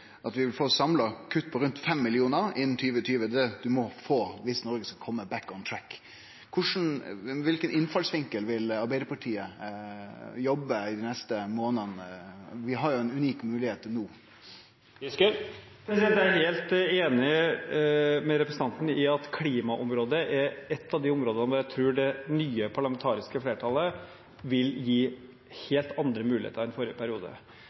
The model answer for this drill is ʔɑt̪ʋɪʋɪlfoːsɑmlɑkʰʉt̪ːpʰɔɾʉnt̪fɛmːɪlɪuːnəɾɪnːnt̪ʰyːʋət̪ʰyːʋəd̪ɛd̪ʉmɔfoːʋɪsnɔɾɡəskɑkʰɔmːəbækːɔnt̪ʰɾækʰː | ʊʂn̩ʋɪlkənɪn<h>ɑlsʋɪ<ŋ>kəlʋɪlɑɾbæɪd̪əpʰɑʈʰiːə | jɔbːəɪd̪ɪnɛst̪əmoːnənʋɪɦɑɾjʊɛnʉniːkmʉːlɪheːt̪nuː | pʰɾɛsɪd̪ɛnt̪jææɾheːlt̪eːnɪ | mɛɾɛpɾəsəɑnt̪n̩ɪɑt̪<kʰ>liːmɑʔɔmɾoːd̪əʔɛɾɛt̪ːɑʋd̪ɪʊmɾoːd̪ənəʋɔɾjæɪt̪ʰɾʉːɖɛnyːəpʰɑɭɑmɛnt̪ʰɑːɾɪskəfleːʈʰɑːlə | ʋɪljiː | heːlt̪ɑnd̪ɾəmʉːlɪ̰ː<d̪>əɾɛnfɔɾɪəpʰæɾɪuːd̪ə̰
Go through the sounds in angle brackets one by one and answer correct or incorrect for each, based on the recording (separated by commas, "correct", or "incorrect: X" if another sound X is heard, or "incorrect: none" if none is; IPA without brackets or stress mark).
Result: incorrect: f, correct, correct, incorrect: t̪